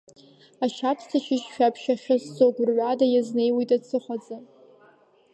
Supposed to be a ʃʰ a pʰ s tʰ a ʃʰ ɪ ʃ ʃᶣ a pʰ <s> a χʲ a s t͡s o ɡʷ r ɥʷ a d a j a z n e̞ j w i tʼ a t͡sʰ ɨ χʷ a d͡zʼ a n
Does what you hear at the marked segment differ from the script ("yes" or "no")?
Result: yes